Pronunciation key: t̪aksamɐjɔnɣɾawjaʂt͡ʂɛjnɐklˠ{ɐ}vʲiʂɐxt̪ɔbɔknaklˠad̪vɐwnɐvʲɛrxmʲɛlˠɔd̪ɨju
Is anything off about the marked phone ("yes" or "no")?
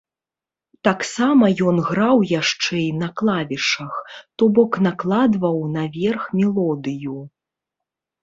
yes